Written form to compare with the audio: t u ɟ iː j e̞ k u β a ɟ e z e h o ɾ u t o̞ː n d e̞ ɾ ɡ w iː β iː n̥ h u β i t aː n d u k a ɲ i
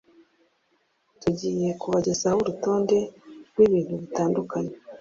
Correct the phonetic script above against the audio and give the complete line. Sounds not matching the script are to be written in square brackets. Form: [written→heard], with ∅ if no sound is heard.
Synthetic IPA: t u ɟ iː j e̞ k u β a ɟ e z [e→a] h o ɾ u t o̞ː n d e̞ ɾ ɡ w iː β iː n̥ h u β i t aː n d u k a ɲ [i→e]